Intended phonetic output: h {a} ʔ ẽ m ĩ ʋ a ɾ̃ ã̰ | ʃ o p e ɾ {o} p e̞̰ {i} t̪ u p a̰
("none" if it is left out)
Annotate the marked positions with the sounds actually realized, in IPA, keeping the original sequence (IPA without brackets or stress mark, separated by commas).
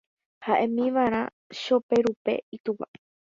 a, u, i